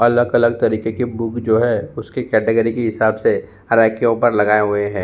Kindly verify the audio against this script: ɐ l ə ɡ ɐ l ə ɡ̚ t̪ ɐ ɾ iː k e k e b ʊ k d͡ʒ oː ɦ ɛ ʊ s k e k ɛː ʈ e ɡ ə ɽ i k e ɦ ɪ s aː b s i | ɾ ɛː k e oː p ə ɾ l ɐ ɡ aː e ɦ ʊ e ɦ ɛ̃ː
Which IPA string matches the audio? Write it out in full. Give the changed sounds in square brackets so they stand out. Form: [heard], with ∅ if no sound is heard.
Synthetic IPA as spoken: ɐ l ə ɡ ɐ l ə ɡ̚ t̪ ɐ ɾ iː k e k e b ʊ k d͡ʒ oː ɦ ɛ ʊ s k e k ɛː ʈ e ɡ ə [ɾ] i k e ɦ ɪ s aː b s [e] | ɾ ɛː k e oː p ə ɾ l ɐ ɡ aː e ɦ ʊ e ɦ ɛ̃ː